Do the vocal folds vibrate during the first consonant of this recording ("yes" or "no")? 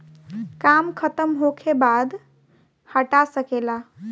no